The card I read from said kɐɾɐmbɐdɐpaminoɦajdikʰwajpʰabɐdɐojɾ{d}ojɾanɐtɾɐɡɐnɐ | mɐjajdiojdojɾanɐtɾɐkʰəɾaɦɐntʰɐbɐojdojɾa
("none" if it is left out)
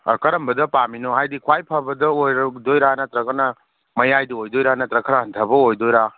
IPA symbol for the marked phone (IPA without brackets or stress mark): d